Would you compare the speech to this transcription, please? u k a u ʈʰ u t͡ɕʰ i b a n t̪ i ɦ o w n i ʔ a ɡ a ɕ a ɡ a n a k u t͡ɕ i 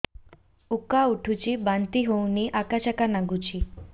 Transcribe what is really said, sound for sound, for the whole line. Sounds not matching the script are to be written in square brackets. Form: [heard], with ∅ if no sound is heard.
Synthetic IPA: u k a u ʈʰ u [t͡ɕ] i b a n t̪ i ɦ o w n i ʔ a [k] a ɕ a [k] a n a [ɡ] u t͡ɕ i